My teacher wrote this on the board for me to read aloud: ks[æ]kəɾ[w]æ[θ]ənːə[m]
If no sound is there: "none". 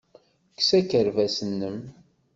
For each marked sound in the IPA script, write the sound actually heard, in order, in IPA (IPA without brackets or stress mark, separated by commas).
æ, v, s, m